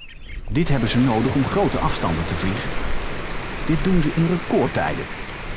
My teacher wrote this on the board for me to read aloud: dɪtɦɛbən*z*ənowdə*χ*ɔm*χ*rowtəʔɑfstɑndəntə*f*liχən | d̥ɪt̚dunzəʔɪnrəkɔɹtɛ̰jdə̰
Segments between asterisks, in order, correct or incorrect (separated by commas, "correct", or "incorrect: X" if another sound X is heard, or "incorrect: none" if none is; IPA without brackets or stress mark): correct, correct, correct, incorrect: v